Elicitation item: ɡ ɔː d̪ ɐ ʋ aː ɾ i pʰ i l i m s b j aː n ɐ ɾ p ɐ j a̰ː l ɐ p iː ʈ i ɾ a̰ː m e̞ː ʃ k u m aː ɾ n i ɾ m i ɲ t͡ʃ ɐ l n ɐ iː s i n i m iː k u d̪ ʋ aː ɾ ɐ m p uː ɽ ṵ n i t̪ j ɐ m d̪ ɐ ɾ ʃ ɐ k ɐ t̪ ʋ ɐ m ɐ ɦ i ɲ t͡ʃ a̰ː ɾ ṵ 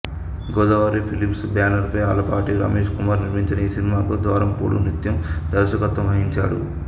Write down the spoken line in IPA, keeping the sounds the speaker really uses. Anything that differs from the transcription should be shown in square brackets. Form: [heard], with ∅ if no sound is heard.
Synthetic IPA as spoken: ɡ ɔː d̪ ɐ ʋ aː ɾ i pʰ i l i m s b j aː n ɐ ɾ p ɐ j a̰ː l ɐ p [aː] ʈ i ɾ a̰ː m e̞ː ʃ k u m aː ɾ n i ɾ m i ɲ t͡ʃ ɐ [∅] n ɐ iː s i n i m [aː] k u d̪ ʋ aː ɾ ɐ m p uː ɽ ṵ n i t̪ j ɐ m d̪ ɐ ɾ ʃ ɐ k ɐ t̪ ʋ ɐ m ɐ ɦ i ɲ t͡ʃ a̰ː [ɽ] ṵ